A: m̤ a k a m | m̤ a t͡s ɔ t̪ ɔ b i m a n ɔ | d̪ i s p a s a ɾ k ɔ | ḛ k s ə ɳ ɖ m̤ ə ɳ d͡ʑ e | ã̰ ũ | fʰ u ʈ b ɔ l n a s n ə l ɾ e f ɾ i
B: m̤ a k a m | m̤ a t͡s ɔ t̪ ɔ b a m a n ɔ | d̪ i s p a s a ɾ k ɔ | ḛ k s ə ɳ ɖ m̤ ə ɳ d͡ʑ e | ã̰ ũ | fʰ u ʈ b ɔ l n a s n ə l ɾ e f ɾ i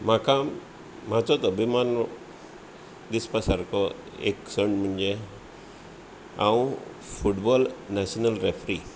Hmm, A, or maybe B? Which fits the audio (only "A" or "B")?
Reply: A